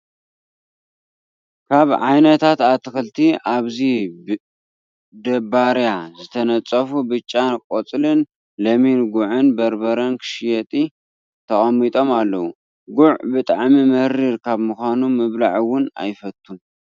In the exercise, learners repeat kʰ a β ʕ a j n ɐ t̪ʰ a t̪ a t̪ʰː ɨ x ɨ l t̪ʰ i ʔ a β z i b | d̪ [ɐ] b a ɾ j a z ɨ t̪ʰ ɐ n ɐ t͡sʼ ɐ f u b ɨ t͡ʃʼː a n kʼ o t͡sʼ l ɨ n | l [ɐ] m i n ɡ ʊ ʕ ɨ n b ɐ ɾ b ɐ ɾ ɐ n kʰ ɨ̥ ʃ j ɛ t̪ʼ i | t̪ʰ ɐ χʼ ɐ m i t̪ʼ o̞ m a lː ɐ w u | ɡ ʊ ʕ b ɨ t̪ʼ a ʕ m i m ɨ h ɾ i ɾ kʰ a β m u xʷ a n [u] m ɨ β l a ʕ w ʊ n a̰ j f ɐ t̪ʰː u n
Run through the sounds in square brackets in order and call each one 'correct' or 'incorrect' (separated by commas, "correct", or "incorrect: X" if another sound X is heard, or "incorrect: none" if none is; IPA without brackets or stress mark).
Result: correct, correct, correct